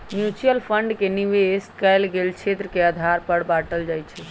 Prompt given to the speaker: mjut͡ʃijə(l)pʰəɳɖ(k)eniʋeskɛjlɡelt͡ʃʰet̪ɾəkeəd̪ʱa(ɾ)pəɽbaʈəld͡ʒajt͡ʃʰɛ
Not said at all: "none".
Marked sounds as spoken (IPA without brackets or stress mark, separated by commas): l, k, ɾ